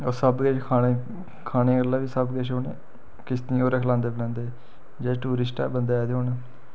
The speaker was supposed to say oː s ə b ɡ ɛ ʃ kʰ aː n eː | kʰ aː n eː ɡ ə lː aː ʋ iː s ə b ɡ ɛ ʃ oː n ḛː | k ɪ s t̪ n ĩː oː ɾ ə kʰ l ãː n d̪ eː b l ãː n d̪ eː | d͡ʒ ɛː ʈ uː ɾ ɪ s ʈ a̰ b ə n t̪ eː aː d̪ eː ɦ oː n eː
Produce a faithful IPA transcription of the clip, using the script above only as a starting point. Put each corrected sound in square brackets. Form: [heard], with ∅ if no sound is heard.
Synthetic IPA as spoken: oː s ə b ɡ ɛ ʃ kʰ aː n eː | kʰ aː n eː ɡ ə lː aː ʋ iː s ə b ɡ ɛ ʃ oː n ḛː | k ɪ s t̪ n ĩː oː ɾ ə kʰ l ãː n d̪ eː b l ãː n d̪ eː | d͡ʒ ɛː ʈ uː ɾ ɪ s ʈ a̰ b ə n [d̪] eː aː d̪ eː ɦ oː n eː